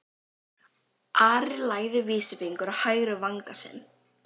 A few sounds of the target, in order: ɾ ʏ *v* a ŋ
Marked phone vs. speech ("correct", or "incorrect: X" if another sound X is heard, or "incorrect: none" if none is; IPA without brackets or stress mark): correct